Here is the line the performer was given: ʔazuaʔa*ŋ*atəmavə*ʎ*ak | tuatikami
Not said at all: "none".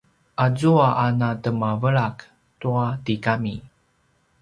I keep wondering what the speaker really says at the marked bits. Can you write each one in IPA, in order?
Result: n, ɭ

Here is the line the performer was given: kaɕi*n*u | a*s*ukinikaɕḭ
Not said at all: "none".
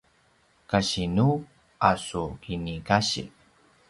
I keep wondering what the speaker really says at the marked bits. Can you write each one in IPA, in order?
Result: n, s

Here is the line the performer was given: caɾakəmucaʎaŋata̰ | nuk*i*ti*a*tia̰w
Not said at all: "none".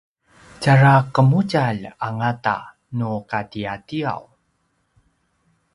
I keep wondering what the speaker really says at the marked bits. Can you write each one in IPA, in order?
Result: a, a

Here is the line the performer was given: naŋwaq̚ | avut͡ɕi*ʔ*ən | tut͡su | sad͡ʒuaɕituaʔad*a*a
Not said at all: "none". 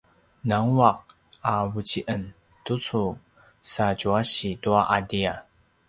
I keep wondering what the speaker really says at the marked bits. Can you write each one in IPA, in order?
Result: ʔ, i

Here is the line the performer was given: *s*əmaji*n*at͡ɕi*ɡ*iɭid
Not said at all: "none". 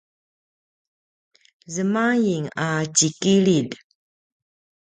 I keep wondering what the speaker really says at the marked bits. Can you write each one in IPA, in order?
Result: z, ŋ, k

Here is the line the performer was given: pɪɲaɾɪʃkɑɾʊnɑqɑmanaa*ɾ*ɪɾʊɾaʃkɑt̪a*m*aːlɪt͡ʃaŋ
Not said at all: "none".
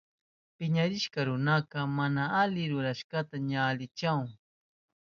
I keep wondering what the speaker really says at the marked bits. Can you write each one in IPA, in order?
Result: l, ɲ

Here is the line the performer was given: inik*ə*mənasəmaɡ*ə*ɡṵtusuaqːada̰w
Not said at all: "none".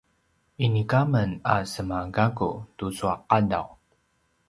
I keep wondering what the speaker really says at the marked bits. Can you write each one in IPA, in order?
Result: a, a

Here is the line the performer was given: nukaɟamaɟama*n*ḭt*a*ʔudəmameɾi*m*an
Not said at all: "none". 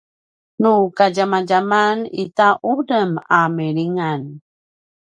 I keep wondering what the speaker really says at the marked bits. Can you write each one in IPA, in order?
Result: n, a, ŋ

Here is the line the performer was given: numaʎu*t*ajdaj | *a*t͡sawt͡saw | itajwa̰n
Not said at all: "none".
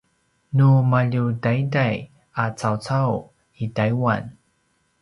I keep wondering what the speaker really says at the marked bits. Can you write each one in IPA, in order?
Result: d, a

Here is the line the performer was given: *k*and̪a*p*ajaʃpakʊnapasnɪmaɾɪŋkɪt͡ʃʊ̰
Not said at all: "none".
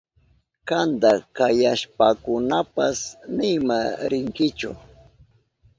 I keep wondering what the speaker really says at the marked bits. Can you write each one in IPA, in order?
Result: k, k

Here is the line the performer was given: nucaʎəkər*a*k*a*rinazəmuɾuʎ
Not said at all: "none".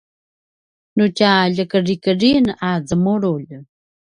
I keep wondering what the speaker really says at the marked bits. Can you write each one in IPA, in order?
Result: i, ə

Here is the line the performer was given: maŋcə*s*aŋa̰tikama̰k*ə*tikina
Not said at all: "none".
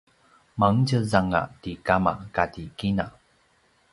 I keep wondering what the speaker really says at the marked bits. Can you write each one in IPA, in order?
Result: z, a

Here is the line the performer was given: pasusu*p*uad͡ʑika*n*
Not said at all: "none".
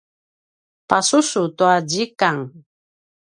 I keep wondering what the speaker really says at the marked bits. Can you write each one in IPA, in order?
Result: t, ŋ

